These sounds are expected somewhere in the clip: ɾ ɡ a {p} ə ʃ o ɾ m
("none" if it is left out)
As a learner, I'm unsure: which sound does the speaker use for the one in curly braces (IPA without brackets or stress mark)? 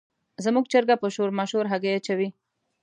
p